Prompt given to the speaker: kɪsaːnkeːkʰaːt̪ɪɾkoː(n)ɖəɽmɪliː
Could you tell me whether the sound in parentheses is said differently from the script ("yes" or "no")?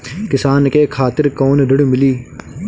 no